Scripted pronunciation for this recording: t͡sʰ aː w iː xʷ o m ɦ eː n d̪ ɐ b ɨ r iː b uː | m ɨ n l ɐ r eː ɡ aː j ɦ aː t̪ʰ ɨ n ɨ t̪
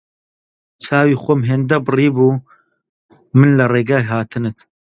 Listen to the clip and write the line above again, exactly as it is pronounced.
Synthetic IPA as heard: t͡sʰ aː w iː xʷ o m ɦ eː n d̪ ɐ b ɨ r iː b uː | m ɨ n l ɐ r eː ɡ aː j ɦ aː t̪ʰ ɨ n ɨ t̪